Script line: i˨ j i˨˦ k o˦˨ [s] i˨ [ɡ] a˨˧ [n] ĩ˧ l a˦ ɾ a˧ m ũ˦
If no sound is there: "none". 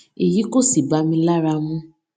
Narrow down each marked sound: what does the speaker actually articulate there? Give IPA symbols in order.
s, b, m

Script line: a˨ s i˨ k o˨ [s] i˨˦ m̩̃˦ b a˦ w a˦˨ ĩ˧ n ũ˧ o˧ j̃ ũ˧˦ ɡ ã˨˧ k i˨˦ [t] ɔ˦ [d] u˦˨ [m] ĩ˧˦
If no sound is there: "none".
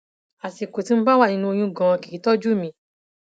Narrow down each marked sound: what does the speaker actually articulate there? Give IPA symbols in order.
t, t, d͡ʒ, m

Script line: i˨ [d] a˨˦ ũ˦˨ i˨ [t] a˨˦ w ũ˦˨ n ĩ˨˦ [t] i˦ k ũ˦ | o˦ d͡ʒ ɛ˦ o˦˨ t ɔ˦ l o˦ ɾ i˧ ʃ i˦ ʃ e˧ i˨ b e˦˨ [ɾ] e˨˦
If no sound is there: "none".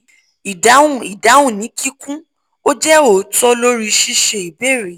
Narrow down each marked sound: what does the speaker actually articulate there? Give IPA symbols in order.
d, d, k, ɾ

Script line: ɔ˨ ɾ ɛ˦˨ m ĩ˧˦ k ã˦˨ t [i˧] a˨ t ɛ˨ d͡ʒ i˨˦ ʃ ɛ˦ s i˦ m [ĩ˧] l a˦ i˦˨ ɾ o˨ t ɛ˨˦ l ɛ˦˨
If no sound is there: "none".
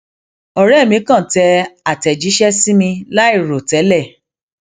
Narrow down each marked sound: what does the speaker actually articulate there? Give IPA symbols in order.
ɛ˧, ĩ˧

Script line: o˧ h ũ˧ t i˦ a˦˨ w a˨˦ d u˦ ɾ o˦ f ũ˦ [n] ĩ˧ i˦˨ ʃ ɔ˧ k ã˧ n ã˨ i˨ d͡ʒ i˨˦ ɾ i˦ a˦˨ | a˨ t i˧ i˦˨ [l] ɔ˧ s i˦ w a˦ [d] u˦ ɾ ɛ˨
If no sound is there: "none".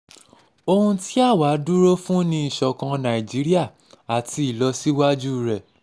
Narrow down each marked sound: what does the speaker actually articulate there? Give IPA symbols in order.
n, l, d͡ʒ

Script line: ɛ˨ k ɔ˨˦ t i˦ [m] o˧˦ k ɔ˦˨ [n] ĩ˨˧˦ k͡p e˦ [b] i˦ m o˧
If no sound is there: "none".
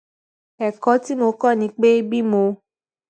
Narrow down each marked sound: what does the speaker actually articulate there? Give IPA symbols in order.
m, n, b

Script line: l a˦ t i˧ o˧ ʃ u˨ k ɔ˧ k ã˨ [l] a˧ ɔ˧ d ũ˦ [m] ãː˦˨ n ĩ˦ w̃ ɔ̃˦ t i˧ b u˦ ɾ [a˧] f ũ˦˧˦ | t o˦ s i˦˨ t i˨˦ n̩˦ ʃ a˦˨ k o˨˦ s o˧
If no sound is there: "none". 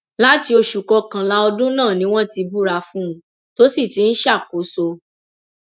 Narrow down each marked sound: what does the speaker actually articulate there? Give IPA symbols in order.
l, n, a˧

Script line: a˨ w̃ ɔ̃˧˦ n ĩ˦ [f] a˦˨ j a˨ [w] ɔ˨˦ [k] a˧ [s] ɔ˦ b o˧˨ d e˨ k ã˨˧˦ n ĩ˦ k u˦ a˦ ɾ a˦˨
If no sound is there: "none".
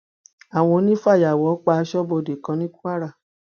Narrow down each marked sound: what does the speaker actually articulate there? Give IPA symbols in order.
f, w, k͡p, ʃ

